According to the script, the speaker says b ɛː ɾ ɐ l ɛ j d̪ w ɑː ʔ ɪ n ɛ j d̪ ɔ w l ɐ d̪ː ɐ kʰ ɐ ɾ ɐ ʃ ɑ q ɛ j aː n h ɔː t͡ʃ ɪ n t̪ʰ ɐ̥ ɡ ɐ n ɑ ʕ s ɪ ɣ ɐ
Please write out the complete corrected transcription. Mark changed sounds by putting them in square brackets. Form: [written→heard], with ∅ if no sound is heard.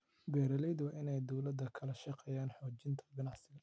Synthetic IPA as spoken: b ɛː ɾ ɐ l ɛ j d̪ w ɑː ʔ ɪ n ɛ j d̪ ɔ w l ɐ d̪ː ɐ kʰ ɐ [ɾ→l] ɐ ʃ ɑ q ɛ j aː n [h→ħ] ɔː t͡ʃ ɪ n t̪ʰ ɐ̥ ɡ ɐ n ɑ ʕ s ɪ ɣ ɐ